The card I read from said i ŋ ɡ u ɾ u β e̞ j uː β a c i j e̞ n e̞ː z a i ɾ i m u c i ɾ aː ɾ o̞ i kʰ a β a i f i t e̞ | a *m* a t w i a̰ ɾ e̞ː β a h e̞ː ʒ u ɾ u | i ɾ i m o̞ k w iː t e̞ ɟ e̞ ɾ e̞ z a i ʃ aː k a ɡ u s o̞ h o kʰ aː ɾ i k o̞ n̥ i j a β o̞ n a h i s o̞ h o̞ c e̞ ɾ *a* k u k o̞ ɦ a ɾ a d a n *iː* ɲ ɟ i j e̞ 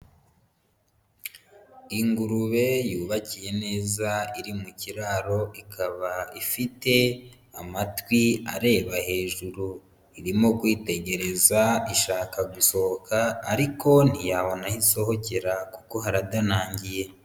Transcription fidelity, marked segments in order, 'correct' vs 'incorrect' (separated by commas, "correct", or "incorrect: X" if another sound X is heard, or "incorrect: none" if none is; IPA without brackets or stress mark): correct, correct, incorrect: aː